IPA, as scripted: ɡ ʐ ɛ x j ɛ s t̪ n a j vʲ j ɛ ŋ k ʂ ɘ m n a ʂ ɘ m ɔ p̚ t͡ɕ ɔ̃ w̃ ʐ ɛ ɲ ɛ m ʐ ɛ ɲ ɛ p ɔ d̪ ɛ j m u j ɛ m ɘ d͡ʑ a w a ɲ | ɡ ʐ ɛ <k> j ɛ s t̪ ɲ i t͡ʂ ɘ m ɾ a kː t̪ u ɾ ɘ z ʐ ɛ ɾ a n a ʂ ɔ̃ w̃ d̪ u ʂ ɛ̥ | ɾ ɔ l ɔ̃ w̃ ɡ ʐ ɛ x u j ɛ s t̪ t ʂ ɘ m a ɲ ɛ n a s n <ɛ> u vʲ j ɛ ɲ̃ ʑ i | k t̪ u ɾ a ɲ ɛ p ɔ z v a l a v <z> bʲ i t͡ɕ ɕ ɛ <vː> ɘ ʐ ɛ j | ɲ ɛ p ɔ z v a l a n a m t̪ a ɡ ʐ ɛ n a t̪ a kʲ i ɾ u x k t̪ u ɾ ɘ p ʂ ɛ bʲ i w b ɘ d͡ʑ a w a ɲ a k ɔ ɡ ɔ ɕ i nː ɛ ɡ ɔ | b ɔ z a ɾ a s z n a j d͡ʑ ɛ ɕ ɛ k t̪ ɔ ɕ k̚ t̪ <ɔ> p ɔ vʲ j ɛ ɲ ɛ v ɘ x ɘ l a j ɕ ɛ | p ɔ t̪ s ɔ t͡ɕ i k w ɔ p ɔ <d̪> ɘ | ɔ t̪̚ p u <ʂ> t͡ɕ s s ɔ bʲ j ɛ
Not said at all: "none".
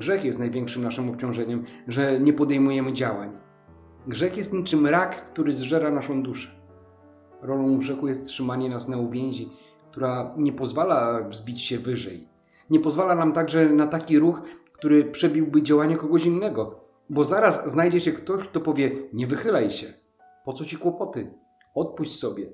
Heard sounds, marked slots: x, a, z, v, ɔ, t̪, ɕ

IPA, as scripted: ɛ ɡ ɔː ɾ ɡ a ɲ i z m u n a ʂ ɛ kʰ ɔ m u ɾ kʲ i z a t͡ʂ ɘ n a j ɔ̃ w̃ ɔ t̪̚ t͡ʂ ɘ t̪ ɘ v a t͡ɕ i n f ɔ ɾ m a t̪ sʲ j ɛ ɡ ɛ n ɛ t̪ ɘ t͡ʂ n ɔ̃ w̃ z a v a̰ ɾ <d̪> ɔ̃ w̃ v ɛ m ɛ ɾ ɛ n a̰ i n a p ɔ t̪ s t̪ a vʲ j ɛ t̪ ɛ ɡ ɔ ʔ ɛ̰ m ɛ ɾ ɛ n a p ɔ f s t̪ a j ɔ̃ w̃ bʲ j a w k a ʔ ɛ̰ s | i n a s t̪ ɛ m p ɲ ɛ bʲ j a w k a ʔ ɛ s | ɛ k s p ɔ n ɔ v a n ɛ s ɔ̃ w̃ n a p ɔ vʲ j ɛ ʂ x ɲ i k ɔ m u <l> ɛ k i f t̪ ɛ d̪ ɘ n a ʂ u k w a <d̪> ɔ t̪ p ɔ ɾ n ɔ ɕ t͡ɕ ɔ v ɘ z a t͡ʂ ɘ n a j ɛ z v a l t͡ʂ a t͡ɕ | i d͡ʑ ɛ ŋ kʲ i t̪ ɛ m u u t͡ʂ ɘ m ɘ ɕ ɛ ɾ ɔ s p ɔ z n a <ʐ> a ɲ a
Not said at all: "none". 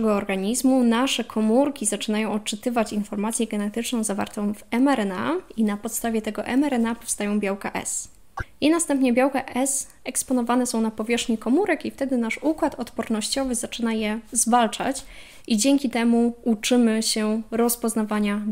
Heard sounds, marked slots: t̪, ɾ, t̪, v

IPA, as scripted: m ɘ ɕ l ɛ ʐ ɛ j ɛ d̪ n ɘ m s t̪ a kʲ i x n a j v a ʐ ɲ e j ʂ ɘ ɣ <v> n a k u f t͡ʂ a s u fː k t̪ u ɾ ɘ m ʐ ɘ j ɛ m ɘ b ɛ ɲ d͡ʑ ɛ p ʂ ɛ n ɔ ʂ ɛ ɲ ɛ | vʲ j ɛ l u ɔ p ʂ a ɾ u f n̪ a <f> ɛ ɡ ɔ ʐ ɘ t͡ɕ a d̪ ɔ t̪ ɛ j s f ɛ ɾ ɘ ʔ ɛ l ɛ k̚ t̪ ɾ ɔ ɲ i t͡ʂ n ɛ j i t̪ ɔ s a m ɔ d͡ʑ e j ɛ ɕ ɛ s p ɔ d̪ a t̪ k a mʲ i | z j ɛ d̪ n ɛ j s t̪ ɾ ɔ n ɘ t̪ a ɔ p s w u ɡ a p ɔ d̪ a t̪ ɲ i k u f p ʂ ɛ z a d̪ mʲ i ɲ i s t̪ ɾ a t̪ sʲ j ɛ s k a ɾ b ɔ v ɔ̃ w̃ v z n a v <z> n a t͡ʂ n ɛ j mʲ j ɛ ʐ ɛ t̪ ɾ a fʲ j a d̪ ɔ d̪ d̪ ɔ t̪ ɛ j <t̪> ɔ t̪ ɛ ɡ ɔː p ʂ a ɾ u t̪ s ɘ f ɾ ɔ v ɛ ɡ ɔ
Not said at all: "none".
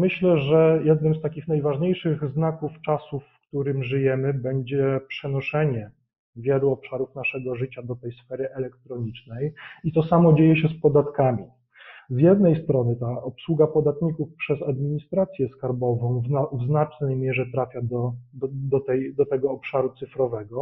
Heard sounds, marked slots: z, ʂ, z, d̪

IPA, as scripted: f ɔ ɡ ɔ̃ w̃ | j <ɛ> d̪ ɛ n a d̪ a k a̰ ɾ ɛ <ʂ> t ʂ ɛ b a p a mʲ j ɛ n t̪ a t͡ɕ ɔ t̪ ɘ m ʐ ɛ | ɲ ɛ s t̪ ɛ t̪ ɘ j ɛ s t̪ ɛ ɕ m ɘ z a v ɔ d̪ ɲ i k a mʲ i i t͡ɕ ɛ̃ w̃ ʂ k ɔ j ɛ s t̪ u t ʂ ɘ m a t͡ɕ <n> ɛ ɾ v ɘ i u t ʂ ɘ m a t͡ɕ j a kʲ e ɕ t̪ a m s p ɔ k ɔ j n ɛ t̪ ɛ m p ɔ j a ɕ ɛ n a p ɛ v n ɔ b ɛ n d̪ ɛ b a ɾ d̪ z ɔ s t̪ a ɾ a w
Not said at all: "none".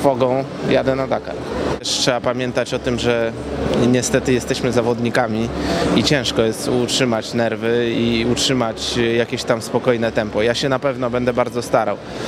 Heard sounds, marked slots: a, ʂ, n

